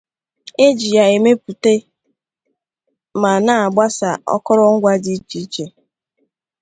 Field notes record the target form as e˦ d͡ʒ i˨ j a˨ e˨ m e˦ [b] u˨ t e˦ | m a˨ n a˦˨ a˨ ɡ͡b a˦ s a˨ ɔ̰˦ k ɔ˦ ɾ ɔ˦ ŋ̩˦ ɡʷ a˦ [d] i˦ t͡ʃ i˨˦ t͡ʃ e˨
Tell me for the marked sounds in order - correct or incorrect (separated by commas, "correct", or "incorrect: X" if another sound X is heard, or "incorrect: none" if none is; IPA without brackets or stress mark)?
incorrect: p, correct